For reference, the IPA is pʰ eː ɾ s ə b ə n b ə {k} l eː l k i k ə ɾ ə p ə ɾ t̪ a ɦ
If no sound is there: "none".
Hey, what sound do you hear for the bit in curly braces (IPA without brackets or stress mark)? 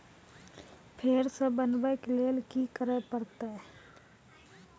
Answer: k